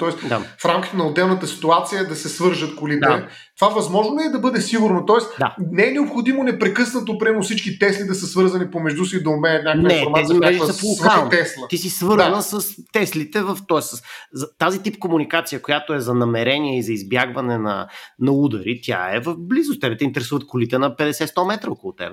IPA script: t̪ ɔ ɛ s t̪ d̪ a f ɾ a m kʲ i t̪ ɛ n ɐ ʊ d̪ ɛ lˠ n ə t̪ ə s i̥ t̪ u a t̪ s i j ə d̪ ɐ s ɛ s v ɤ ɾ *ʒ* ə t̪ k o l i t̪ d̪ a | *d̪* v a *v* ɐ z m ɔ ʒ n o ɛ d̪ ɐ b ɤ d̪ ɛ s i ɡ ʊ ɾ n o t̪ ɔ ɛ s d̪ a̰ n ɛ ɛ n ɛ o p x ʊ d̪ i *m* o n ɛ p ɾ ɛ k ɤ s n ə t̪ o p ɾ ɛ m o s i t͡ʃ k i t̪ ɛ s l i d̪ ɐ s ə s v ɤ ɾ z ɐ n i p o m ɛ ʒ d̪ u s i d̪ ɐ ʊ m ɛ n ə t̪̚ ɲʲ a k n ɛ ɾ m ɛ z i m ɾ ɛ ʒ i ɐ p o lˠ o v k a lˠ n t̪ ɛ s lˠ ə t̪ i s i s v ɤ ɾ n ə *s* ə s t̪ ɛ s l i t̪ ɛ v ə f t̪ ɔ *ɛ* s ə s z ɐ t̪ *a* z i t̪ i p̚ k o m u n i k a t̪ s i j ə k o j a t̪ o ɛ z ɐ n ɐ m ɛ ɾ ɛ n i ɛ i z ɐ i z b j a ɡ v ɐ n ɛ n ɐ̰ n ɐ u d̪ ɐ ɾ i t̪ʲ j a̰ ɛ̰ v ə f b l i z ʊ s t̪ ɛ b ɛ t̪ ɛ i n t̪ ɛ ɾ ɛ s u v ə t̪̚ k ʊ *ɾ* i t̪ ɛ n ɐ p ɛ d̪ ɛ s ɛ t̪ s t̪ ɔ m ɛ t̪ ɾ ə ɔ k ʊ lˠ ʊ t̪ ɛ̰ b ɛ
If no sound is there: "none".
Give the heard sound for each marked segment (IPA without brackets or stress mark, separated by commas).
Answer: ʒ, t̪, v, m, s, ɛ, a, l